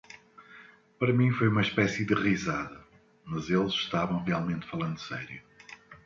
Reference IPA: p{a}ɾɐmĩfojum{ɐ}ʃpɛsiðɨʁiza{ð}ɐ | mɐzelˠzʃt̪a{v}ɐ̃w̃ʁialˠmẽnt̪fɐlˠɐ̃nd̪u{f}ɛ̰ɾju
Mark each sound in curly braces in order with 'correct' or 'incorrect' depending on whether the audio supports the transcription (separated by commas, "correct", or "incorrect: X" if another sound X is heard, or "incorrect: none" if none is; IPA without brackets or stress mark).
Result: incorrect: ɐ, correct, correct, correct, incorrect: s